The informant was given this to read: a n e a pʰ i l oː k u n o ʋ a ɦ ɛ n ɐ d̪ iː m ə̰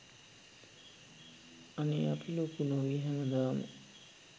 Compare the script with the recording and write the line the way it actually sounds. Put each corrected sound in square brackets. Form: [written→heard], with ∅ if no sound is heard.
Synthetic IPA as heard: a n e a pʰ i l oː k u n o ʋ [a→i] ɦ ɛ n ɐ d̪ [iː→aː] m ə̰